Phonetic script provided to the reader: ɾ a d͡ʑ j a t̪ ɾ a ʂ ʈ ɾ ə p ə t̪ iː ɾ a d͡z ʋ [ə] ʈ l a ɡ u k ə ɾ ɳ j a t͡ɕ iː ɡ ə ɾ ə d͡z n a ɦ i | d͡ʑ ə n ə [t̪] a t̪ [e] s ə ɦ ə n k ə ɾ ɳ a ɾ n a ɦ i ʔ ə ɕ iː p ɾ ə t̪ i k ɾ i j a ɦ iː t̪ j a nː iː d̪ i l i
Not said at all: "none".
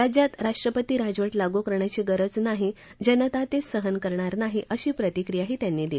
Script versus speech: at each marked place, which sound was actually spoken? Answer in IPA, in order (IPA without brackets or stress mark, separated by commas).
ə, t̪, e